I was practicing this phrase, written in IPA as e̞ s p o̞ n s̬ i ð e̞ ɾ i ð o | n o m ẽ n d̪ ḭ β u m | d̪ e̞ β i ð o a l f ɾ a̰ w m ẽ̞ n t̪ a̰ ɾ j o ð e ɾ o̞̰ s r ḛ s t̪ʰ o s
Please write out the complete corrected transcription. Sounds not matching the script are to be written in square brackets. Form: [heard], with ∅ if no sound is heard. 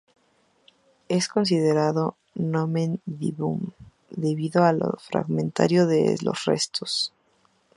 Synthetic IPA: e̞ s [k] o̞ n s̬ i ð e̞ ɾ [a] ð o | n o m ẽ n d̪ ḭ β u m | d̪ e̞ β i ð o a l f ɾ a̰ [ɣ] m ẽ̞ n t̪ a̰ ɾ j o ð e [l] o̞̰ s r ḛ s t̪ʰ o s